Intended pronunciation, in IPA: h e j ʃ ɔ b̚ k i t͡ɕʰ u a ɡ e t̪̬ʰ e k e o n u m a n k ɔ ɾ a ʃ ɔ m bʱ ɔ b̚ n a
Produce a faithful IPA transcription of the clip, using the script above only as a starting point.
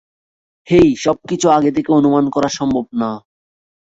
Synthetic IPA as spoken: h e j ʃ ɔ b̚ k i t͡ɕʰ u a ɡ e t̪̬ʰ e k e o n u m a n k ɔ ɾ a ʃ ɔ m bʱ o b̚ n a

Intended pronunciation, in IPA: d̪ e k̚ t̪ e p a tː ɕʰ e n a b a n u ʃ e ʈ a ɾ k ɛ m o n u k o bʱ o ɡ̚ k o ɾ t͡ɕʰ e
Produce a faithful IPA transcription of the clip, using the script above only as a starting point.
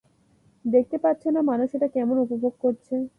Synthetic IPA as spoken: d̪ e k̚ t̪ e p a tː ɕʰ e n a m a n u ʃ e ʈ a k ɛ m o n u p o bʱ o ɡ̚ k o ɾ t͡ɕʰ e

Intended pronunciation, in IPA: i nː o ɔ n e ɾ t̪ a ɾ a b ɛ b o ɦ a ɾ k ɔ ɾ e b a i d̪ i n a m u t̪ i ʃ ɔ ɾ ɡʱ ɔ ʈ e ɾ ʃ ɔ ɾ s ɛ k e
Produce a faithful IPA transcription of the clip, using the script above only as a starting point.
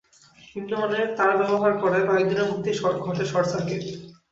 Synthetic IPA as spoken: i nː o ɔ n e ɾ t̪ a ɾ a b ɛ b o ɦ a ɾ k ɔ ɾ e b a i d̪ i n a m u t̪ i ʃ ɔ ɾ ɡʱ ɔ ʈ e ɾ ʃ ɔ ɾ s a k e

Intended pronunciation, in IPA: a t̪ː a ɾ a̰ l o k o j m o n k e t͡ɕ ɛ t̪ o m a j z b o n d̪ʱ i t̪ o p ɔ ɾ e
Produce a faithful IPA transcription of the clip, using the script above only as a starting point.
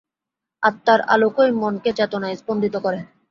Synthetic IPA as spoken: a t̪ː a ɾ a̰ l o k o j m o n k e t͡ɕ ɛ t̪ o n a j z b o n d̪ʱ i t̪ o k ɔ ɾ e

